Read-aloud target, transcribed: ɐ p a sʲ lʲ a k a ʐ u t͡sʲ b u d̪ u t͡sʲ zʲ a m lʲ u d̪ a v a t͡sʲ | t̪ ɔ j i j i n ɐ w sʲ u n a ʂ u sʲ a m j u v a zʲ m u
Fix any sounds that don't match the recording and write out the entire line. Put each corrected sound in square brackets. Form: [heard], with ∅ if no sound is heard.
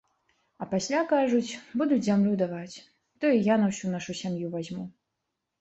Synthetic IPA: ɐ p a sʲ lʲ a k a ʐ u t͡sʲ b u d̪ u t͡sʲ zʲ a m lʲ u d̪ a v a t͡sʲ | t̪ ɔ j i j [a] n ɐ w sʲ u n a ʂ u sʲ a m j u v a zʲ m u